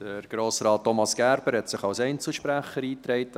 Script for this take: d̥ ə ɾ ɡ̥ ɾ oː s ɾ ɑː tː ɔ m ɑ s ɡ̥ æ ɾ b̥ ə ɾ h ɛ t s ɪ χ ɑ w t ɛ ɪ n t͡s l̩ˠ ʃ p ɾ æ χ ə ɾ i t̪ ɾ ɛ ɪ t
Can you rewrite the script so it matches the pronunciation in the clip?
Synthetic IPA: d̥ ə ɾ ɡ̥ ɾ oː s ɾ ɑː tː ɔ m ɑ s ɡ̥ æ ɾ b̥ ə ɾ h ɛ t s ɪ χ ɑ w s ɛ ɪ n t͡s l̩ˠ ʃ p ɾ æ χ ə ɾ iː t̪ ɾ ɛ ɪ t